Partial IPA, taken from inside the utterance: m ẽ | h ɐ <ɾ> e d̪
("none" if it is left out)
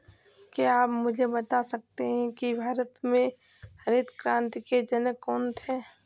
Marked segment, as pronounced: ɾ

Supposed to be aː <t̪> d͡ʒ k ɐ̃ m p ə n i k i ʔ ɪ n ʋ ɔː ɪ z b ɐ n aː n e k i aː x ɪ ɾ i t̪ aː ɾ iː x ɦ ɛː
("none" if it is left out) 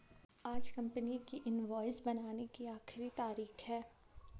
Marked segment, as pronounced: none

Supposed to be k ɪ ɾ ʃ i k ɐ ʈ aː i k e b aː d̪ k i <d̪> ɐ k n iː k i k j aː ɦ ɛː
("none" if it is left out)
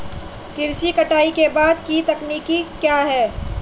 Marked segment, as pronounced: t̪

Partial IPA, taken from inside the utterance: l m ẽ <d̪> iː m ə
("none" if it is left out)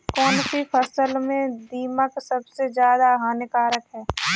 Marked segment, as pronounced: d̪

